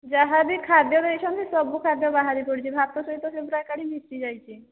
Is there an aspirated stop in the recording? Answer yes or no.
yes